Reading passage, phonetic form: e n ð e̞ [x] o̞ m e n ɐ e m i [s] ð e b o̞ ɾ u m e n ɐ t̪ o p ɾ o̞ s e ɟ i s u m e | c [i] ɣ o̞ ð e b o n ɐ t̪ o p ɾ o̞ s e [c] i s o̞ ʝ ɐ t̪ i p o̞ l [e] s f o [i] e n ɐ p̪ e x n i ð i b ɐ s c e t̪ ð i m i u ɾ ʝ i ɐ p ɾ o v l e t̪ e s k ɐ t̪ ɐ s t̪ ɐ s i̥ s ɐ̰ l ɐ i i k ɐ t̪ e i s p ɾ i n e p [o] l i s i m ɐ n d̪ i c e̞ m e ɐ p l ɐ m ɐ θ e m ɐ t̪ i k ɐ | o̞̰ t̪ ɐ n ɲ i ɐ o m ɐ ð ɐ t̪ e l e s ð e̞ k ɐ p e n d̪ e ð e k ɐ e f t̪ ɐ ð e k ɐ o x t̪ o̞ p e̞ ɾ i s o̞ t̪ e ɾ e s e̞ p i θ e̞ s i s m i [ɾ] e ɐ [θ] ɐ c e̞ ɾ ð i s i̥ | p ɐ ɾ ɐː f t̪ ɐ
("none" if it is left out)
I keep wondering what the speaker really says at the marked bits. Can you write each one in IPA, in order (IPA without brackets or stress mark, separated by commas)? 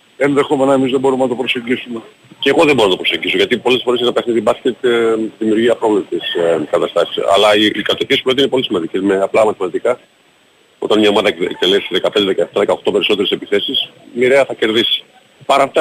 x, z, e, ɟ, e, e, o, ɾ, θ